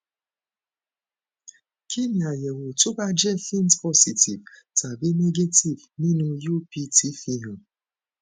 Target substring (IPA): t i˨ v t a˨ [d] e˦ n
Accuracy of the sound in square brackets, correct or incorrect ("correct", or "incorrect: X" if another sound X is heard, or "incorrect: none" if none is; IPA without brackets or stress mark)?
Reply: incorrect: b